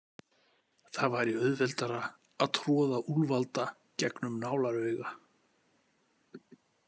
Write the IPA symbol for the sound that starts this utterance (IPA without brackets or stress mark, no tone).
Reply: θ